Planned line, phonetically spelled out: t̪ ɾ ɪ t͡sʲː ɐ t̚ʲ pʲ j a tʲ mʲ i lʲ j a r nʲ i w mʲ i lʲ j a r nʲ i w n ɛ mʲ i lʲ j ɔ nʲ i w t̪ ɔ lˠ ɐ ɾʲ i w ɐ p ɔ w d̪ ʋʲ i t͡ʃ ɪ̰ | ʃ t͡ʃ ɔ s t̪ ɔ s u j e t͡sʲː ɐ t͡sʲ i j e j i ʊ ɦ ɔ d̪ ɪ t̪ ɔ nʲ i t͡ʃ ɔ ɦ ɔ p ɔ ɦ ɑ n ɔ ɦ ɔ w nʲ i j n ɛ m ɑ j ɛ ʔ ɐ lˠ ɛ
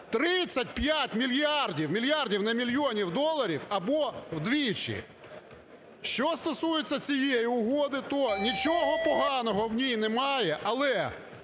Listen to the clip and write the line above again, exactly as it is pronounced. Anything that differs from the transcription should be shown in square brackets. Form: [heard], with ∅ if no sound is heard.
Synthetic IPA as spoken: t̪ ɾ ɪ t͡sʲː ɐ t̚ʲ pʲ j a tʲ mʲ i lʲ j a r [dʲ] i w mʲ i lʲ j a r [dʲ] i w n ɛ mʲ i lʲ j ɔ nʲ i w [d̪] ɔ lˠ ɐ ɾʲ i w ɐ [b] ɔ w d̪ ʋʲ i t͡ʃ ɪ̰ | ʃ t͡ʃ ɔ s t̪ ɔ s u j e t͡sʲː ɐ t͡sʲ i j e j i ʊ ɦ ɔ d̪ ɪ t̪ ɔ nʲ i t͡ʃ ɔ ɦ ɔ p ɔ ɦ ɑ n ɔ ɦ ɔ w nʲ i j n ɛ m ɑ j ɛ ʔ ɐ lˠ ɛ